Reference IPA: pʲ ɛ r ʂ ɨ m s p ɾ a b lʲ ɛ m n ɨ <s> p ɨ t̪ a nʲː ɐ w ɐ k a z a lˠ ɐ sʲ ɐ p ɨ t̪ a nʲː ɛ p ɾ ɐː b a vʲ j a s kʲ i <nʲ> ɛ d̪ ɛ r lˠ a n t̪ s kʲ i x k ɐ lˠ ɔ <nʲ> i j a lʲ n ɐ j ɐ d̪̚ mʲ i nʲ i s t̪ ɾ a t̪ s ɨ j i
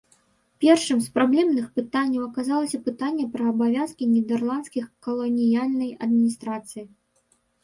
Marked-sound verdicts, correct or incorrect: incorrect, correct, correct

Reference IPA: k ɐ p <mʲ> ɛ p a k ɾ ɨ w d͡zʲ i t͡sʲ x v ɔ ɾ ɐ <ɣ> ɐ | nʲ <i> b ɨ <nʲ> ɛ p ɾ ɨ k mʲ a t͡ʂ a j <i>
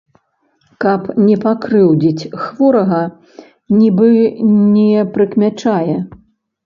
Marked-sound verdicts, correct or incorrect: incorrect, correct, correct, correct, incorrect

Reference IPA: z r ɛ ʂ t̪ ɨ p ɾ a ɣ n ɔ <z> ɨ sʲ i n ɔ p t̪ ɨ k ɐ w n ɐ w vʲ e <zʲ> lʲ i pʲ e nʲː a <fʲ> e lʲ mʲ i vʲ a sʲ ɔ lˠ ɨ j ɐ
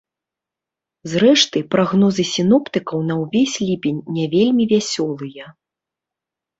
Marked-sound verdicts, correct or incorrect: correct, incorrect, incorrect

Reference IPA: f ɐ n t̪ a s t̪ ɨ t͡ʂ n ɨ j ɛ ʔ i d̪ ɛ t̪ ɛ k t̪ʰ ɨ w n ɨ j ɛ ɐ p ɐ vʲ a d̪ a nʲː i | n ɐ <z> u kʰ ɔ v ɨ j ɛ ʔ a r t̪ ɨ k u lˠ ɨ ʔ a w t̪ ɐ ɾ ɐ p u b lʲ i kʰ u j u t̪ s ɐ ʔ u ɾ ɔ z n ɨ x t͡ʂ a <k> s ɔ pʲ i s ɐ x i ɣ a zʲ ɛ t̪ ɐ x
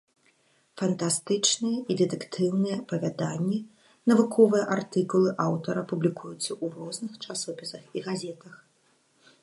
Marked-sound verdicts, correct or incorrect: incorrect, incorrect

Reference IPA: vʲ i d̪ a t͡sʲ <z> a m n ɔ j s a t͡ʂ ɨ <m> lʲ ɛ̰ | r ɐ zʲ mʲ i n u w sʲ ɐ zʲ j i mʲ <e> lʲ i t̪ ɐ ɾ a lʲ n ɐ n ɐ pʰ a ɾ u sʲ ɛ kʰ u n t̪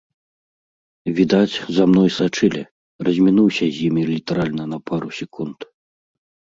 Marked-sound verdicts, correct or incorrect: correct, incorrect, incorrect

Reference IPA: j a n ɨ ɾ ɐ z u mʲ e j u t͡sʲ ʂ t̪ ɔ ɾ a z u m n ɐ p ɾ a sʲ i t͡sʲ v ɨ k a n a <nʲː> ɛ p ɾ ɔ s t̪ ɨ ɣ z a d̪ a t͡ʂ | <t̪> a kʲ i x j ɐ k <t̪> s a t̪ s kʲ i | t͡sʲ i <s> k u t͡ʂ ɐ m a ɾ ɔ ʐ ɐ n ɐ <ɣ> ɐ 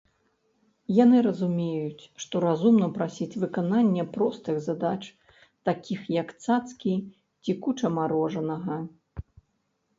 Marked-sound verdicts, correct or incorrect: correct, correct, correct, incorrect, correct

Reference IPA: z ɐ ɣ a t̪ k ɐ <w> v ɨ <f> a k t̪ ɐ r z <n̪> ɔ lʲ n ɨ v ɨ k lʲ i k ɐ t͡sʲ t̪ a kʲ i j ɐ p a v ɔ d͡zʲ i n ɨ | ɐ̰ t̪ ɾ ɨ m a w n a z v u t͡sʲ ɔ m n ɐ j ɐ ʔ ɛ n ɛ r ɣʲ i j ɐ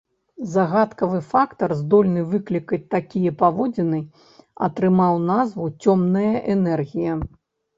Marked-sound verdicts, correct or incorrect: incorrect, correct, incorrect

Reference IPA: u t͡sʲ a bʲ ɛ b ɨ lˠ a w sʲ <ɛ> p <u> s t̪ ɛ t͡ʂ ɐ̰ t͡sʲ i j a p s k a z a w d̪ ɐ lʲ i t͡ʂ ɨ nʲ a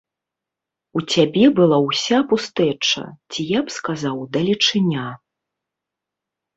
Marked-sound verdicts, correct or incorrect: incorrect, correct

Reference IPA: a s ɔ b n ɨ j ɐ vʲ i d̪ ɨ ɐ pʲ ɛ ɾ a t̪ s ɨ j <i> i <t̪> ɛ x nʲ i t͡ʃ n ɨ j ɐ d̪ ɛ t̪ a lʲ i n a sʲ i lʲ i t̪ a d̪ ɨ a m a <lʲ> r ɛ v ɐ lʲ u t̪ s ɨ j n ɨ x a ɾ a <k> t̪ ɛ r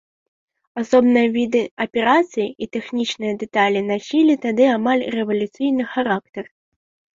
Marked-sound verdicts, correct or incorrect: correct, correct, correct, correct

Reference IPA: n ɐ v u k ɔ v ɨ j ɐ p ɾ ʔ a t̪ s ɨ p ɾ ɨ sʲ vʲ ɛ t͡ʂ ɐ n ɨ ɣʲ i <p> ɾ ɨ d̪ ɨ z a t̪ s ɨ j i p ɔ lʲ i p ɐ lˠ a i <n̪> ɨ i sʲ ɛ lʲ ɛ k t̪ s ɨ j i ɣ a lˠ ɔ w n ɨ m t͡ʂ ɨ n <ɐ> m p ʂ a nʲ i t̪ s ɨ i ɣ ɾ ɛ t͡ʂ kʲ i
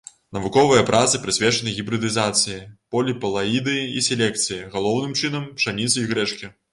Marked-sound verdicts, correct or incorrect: incorrect, incorrect, correct

